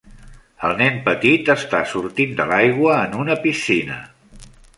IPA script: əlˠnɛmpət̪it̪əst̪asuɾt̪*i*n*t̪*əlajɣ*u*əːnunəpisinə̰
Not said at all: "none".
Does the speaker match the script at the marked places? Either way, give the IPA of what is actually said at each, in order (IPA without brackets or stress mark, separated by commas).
i, d̪, w